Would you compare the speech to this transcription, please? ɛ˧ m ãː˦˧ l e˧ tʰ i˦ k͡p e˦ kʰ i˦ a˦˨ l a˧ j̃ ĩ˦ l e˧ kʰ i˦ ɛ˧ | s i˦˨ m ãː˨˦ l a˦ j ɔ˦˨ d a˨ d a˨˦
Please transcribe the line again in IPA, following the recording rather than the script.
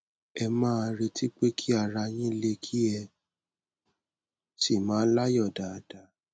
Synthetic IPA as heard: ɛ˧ m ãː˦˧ ɾ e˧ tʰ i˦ k͡p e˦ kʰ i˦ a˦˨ ɾ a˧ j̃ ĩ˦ l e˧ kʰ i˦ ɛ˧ | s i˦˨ m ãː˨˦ l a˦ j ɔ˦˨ d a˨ d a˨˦